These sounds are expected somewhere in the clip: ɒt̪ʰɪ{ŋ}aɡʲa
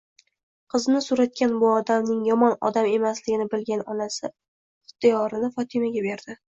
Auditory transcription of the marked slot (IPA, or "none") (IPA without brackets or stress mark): m